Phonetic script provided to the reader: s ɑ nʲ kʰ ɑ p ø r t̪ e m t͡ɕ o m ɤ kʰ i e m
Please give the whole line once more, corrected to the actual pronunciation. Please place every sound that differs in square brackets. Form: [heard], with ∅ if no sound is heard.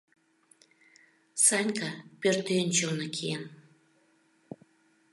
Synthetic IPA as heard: s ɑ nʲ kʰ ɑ p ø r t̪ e [n] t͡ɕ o [n] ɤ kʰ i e [n]